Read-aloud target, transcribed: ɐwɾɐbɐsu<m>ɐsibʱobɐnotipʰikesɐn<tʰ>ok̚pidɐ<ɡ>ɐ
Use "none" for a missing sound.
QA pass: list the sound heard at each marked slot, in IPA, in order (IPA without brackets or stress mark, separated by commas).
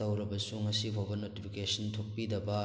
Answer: ŋ, tʰ, b